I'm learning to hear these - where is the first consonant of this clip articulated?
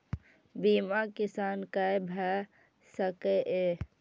lips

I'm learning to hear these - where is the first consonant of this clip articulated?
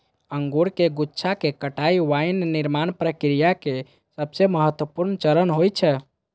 velum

